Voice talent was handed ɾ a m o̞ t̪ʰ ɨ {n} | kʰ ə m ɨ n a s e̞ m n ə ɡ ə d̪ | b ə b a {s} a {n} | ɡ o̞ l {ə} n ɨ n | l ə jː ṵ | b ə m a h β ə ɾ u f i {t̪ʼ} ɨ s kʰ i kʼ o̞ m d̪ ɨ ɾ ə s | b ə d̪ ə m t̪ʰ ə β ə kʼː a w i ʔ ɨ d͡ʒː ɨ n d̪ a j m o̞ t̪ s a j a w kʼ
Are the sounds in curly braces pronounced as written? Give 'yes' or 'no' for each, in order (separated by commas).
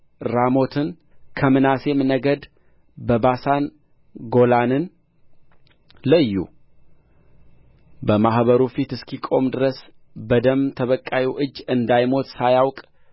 yes, yes, yes, no, no